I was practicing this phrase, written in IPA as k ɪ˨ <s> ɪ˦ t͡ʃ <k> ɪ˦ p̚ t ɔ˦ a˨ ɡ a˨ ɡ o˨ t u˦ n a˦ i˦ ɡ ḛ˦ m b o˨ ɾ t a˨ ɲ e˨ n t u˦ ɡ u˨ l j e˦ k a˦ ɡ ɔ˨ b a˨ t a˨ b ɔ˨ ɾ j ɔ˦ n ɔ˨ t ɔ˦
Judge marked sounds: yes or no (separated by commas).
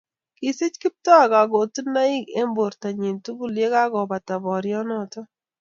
yes, yes